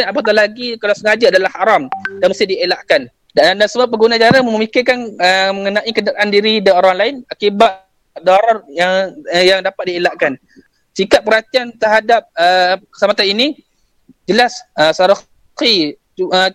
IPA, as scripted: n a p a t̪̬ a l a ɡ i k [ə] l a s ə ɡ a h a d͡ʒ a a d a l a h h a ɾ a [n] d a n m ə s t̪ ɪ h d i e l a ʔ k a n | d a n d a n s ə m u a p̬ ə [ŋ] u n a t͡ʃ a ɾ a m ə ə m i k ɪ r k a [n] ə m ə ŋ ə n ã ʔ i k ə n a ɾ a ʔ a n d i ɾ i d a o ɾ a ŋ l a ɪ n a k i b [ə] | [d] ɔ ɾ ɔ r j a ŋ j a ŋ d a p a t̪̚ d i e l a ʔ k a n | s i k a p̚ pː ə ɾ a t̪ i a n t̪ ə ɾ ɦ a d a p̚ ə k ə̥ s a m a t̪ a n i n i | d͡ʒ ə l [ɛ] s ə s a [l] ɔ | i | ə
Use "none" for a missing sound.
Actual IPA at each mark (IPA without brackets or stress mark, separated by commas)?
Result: a, m, ɡ, n, a, d, a, ɾ